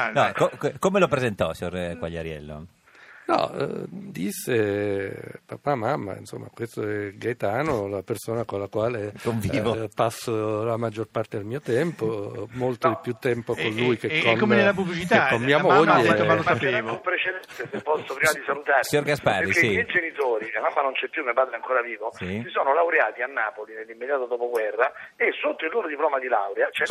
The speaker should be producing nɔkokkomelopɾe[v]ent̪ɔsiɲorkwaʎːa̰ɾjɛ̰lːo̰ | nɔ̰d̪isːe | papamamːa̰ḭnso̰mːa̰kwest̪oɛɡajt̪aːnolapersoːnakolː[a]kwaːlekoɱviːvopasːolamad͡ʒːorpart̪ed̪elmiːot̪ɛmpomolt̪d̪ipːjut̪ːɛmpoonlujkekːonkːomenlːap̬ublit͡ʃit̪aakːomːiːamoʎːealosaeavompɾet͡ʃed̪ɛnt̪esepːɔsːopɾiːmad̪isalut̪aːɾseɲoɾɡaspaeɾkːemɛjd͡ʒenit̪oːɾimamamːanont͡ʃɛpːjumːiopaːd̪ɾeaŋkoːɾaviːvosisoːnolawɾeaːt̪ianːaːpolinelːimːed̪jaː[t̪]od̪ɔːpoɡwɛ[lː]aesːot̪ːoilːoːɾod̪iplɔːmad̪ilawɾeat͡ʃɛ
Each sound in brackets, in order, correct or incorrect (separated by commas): incorrect, correct, correct, incorrect